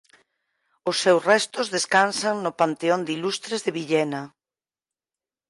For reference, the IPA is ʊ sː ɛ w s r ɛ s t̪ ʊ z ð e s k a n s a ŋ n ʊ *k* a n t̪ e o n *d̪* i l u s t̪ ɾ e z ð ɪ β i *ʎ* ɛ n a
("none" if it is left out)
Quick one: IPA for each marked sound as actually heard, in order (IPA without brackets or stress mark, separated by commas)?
p, d̪, ʎ